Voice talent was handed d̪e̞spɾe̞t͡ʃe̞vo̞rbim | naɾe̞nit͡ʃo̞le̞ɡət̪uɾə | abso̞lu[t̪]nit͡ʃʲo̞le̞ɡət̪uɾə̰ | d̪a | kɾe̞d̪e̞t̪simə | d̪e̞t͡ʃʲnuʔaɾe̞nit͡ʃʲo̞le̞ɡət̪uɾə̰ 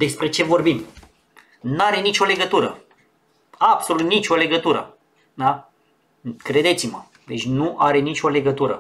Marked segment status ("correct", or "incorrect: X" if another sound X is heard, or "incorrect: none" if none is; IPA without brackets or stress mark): correct